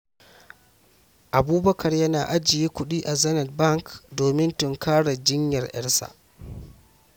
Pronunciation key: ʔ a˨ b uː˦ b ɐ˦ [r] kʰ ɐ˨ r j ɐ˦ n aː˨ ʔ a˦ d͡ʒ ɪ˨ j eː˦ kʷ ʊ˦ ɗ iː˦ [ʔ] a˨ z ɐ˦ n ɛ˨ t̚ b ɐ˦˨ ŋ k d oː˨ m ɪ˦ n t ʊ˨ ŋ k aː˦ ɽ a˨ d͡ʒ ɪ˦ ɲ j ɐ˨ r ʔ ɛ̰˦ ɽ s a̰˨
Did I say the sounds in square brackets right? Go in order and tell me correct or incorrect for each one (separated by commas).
incorrect, correct